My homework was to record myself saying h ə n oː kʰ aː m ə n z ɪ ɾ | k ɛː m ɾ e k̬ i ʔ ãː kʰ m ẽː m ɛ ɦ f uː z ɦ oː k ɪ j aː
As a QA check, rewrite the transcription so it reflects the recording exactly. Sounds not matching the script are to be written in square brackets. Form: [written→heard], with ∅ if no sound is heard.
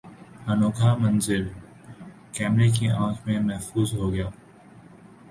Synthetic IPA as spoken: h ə n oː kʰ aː m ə n z ɪ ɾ | k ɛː m ɾ e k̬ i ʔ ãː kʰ m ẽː m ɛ ɦ f uː z ɦ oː [k→ɡ] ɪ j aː